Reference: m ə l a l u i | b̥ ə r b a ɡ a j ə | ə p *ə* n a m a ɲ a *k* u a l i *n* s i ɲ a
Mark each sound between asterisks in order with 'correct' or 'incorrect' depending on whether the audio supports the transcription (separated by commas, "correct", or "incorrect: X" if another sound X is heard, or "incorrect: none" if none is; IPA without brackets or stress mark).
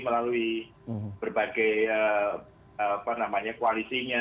incorrect: a, correct, incorrect: none